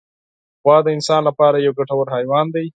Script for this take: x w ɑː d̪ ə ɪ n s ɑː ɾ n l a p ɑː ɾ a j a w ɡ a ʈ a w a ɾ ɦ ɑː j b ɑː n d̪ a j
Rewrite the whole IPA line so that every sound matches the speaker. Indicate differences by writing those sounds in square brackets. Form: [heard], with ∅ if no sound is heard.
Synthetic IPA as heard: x w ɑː d̪ ə ɪ n s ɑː [∅] n l a p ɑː ɾ a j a w ɡ a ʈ a w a ɾ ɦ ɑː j [w] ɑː n d̪ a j